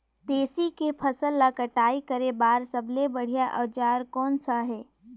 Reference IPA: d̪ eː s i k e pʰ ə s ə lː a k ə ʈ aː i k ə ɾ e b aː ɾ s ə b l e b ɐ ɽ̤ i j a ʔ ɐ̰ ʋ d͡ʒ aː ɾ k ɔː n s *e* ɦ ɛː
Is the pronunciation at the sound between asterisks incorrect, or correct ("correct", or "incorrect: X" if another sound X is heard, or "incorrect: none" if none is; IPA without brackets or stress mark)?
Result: incorrect: a